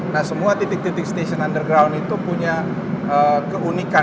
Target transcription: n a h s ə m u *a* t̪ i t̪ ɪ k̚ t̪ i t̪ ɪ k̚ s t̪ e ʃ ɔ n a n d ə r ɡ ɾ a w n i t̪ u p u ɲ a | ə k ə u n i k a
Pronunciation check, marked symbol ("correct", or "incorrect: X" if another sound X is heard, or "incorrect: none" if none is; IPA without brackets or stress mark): correct